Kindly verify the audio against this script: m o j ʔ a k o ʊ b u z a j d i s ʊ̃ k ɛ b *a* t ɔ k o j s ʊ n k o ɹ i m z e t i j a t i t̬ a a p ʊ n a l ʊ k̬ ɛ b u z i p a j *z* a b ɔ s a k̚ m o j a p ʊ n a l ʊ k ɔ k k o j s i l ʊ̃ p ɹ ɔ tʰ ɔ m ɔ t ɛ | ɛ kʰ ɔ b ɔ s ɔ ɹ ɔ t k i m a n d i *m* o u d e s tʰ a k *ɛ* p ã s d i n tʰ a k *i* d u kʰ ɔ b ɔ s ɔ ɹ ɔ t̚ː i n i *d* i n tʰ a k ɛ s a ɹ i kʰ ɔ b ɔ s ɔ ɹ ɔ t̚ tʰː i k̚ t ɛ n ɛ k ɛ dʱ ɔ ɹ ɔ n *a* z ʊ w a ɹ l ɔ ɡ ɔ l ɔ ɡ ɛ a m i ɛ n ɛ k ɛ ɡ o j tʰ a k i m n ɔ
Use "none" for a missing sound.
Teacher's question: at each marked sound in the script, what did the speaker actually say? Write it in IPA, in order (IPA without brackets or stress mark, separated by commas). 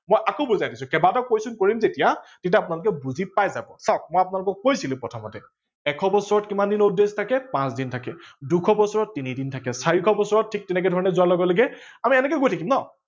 a, z, n, ɛ, ɛ, d, ɛ